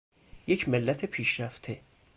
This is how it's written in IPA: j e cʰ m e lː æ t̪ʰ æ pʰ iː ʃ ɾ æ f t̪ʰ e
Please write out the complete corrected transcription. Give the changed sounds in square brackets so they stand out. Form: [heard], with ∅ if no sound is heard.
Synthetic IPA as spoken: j e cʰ m e lː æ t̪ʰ [e] pʰ iː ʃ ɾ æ f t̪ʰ e